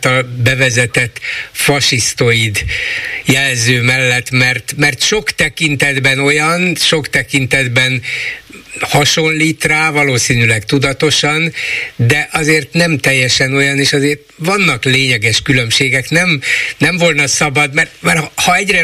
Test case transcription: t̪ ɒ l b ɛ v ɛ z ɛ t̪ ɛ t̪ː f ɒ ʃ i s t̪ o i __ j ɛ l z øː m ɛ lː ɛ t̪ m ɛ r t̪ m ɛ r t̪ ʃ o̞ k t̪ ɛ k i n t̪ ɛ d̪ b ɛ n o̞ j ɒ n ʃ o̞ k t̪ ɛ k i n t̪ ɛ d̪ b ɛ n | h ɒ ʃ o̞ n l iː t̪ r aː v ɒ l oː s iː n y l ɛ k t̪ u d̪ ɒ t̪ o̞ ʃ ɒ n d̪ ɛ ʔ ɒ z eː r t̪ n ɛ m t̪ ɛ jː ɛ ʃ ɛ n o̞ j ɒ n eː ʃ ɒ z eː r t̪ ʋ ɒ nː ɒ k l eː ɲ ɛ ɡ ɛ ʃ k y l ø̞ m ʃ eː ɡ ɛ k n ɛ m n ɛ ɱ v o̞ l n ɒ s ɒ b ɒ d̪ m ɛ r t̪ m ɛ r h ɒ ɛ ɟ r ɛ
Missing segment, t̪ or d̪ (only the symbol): d̪